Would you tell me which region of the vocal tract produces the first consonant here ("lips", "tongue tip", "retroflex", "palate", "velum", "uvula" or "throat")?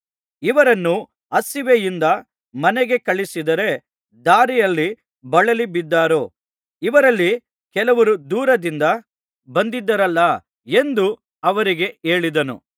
lips